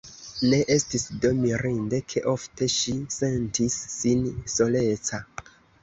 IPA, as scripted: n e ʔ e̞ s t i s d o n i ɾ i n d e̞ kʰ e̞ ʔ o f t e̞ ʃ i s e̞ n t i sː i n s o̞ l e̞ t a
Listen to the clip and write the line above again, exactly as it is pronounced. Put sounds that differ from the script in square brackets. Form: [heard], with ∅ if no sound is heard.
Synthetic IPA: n e ʔ e̞ s t i s d o [m] i ɾ i n d e̞ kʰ e̞ ʔ o f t e̞ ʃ i s e̞ n t i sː i n s o̞ l e̞ [t͡s] a